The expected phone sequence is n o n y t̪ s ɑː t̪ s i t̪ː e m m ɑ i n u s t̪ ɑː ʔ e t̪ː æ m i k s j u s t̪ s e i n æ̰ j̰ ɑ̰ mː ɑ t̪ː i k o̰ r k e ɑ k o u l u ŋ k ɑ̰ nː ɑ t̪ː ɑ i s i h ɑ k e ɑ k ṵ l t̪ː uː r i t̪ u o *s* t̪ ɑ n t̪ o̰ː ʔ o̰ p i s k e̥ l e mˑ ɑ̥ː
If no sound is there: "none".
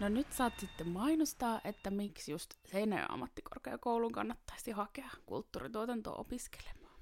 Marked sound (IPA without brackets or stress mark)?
none